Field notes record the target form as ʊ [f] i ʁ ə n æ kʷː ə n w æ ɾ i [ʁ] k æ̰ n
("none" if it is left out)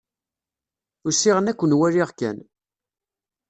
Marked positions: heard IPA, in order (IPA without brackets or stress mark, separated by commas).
s, ʁ